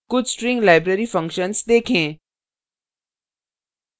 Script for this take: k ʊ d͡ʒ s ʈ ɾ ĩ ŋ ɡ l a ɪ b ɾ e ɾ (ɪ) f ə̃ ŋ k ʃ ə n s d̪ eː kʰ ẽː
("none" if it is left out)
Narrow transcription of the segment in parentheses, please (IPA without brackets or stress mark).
i